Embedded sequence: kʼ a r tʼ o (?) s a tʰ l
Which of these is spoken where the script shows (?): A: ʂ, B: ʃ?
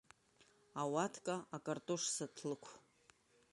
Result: A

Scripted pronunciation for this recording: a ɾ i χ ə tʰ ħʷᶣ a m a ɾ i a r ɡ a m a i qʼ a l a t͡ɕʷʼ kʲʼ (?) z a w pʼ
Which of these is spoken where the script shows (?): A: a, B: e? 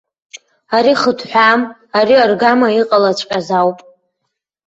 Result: A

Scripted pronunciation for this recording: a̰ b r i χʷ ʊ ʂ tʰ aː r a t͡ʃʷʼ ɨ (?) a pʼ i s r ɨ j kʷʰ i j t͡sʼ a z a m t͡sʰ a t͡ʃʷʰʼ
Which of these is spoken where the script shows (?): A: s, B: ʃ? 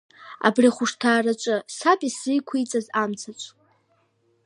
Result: A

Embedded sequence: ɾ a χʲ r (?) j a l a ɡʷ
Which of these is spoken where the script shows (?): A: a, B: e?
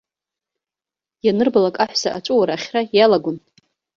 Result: A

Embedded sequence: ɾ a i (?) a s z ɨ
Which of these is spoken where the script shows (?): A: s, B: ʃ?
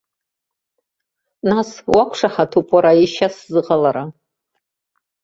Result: B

